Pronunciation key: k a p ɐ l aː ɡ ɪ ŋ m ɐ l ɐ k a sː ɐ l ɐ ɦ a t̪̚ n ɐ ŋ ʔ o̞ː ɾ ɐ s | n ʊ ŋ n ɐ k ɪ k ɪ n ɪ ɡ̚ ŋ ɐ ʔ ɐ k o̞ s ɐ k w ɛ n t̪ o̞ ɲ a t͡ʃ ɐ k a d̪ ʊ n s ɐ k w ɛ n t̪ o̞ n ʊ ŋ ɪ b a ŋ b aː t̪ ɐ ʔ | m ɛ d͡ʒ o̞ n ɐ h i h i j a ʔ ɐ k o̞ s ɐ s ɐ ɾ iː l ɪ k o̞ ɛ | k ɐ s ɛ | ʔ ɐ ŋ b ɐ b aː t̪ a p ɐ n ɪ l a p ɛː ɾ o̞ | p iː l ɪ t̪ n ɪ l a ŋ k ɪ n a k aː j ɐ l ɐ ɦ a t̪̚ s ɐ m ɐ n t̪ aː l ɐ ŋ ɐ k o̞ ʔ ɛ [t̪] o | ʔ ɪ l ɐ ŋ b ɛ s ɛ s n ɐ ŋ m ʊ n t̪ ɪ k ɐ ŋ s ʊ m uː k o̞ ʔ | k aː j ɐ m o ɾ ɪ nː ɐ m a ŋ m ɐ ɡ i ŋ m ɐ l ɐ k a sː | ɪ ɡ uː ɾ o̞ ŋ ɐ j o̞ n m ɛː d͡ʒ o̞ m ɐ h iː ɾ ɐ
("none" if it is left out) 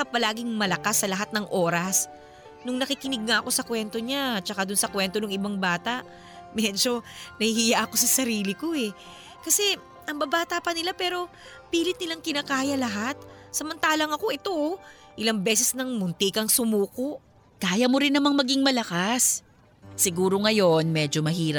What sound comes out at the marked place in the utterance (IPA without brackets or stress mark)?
t̪